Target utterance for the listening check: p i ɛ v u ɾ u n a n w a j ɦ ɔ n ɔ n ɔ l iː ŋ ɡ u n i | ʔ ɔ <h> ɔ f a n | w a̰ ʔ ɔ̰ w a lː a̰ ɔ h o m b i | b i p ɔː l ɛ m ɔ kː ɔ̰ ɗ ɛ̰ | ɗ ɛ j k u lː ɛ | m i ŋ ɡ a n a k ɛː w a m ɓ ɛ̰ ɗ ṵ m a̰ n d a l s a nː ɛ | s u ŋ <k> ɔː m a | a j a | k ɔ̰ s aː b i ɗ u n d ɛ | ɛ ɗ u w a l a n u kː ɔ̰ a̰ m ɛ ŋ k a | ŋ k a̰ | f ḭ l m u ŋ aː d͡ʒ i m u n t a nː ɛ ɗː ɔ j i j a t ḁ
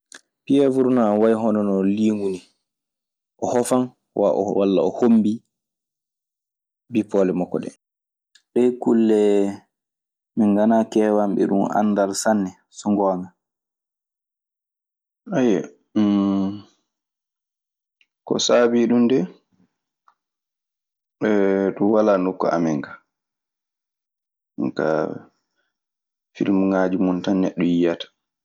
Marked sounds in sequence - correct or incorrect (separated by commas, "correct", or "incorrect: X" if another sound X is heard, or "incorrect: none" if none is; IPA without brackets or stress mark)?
correct, incorrect: ɡ